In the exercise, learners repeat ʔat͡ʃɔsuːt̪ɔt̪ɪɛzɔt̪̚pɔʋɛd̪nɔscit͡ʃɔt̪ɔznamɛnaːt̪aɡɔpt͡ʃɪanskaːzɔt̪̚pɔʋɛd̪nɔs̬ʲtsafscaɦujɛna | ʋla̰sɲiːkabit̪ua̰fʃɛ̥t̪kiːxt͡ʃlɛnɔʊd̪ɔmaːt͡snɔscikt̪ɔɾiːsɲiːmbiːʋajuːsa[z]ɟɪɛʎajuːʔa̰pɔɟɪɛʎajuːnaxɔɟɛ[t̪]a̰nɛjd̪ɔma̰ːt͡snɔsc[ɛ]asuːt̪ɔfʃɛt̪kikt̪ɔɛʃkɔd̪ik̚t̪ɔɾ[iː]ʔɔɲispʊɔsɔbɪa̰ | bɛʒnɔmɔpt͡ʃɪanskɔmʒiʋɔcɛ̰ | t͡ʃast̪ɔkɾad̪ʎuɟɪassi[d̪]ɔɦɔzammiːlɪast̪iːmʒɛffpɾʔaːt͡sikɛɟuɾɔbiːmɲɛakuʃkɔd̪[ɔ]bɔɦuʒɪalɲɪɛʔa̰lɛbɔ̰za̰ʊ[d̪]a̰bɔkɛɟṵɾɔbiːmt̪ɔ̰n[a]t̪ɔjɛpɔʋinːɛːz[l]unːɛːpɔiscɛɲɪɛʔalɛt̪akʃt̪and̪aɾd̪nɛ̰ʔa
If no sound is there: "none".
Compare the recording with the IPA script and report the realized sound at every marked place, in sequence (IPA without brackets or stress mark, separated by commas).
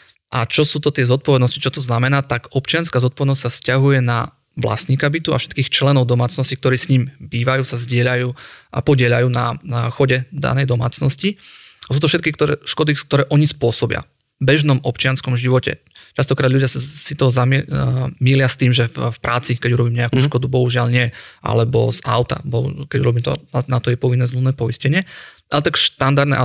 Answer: z, d̪, i, ɛː, t̪, u, t̪, a, l